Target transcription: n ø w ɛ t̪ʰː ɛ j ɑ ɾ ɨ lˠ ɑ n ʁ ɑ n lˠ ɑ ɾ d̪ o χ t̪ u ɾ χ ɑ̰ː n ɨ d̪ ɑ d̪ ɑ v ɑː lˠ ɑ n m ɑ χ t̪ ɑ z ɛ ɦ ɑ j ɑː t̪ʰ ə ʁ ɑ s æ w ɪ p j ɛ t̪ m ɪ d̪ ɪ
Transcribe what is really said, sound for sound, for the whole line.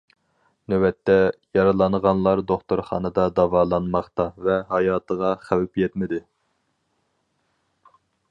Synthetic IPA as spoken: n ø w ɛ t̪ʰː ɛ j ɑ ɾ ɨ lˠ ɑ n ʁ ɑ n lˠ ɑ ɾ d̪ o χ t̪ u ɾ χ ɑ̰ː n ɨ d̪ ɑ d̪ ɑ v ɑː lˠ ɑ n m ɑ χ t̪ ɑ v ɛ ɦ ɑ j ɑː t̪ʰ ə ʁ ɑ χ æ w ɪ p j ɛ t̪ m ɪ d̪ ɪ

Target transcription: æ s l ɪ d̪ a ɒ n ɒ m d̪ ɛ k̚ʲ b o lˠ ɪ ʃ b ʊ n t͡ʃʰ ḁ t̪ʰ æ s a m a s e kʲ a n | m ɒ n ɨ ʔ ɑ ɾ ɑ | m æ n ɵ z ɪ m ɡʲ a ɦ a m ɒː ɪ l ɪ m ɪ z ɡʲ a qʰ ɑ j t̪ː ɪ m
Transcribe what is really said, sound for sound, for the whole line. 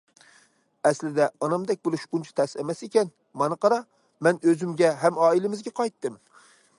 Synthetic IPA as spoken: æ s l ɪ d̪ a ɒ n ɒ m d̪ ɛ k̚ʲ b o lˠ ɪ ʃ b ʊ n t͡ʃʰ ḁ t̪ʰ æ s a m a s e kʲ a n | m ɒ n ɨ q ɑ ɾ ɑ | m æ n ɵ z ɪ m ɡʲ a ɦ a m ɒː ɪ l ɪ m ɪ z ɡʲ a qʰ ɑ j t̪ː ɪ m

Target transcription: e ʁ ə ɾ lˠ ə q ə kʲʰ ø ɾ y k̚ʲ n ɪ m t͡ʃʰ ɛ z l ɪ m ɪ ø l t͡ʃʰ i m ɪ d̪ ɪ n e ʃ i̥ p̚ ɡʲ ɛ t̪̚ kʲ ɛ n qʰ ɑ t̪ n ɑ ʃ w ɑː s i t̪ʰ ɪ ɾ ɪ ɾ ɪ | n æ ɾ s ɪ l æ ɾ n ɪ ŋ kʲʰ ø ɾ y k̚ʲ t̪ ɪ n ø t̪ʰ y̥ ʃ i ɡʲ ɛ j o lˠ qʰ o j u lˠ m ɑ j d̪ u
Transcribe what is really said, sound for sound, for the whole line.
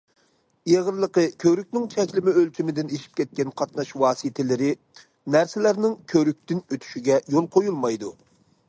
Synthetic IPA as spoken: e ʁ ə ɾ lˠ ə q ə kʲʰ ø ɾ y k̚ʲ n ɪ ŋ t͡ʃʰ ɛ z l ɪ m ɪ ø l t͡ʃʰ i m ɪ d̪ ɪ n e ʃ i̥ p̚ kʲ ɛ t̪̚ kʲ ɛ n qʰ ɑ t̪ n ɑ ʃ w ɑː s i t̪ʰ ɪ l ɪ ɾ ɪ | n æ ɾ s ɪ l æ ɾ n ɪ ŋ kʲʰ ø ɾ y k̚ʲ t̪ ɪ n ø t̪ʰ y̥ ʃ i ɡʲ ɛ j o lˠ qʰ o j u lˠ m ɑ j d̪ u

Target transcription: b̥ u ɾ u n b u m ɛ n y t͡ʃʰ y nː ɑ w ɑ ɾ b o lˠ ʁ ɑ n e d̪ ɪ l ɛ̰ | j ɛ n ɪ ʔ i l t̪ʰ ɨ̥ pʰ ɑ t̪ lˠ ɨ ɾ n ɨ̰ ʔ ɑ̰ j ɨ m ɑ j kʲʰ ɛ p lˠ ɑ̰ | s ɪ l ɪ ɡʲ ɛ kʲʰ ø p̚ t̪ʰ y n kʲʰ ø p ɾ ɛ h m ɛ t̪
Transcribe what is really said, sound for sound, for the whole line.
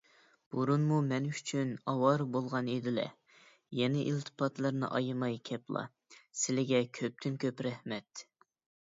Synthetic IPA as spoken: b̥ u ɾ u n m u m ɛ n y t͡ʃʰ y n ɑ w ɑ ɾ b o lˠ ʁ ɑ n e d̪ ɪ l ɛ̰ | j ɛ n ɪ ʔ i l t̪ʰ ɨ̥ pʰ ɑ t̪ lˠ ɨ ɾ n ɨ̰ ʔ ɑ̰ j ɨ m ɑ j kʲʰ ɛ p lˠ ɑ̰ | s ɪ l ɪ ɡʲ ɛ kʲʰ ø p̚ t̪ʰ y n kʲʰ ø p ɾ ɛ h m ɛ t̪

